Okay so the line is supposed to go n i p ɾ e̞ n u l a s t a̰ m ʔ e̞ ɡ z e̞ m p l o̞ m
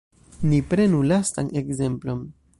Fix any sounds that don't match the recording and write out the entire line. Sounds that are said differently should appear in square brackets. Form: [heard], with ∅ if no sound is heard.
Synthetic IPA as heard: n i p ɾ e̞ n u l a s t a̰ [n] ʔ e̞ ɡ z e̞ m p l o̞ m